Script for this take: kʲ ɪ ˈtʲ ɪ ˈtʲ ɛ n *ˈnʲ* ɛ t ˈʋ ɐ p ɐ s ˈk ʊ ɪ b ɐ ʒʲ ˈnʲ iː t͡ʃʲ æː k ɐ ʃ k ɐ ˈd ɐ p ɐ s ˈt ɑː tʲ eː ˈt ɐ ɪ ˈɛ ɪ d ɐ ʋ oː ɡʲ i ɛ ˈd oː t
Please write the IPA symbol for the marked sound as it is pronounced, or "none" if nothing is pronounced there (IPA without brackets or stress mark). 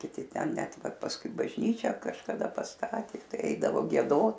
nʲ